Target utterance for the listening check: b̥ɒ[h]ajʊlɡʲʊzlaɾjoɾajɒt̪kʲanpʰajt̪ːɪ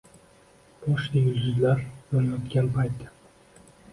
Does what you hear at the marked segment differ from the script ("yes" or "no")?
yes